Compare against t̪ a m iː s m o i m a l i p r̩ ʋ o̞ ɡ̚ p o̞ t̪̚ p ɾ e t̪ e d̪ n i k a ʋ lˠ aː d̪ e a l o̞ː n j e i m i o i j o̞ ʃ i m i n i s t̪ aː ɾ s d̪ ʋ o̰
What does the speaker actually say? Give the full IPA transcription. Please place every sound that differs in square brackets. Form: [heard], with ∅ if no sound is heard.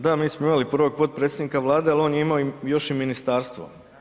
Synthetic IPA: [d̪] a m iː s m o i m a l i p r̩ ʋ o̞ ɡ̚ p o̞ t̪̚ p ɾ e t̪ e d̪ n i k a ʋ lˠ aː d̪ e a l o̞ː n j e i m [a] o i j o̞ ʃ i m i n i s t̪ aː ɾ s [t̪] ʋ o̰